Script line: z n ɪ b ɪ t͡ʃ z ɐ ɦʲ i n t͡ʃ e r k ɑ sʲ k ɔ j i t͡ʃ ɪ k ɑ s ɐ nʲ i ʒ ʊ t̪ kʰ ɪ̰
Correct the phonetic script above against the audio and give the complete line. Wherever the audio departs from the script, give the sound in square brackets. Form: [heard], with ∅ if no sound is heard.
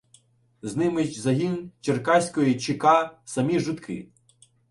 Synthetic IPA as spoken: z n ɪ [m] ɪ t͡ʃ z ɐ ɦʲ i n t͡ʃ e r k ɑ sʲ k ɔ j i t͡ʃ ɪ k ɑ s ɐ [mʲ] i ʒ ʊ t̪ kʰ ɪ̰